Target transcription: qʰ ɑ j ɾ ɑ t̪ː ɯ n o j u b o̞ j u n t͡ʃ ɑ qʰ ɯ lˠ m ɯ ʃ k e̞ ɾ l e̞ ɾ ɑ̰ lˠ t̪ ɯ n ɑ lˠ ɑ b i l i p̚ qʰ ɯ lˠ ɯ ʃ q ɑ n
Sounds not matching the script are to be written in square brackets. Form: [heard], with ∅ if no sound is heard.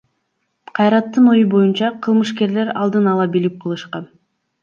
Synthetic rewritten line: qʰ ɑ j ɾ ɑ t̪ː ɯ n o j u b o̞ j u n t͡ʃ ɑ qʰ ɯ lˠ m ɯ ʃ k e̞ ɾ l e̞ ɾ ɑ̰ lˠ [d̪] ɯ n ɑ lˠ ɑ b i l i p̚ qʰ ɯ lˠ ɯ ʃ q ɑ n